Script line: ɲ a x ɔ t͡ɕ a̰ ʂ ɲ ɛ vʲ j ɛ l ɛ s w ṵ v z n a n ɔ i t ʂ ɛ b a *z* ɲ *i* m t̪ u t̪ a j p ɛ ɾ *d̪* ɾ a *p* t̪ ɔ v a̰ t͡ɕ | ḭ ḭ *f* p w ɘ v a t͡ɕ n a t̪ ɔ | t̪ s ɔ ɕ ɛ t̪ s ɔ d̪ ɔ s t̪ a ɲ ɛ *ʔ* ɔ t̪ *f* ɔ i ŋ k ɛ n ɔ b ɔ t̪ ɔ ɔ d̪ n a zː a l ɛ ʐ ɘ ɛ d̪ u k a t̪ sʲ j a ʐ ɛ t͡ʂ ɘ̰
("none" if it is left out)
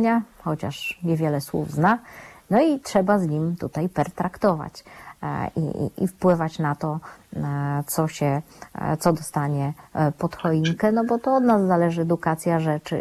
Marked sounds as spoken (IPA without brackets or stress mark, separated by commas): z, i, t̪, k, f, p, x